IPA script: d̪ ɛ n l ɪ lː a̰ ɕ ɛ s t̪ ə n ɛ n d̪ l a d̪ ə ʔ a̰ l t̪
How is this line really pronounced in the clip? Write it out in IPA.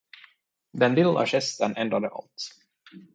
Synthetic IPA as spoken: d̪ ɛ n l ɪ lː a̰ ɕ ɛ s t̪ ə n ɛ n d̪ ɾ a d̪ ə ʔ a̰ l t̪